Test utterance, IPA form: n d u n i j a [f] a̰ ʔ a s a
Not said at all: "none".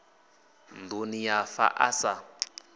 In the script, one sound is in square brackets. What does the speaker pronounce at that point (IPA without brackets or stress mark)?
f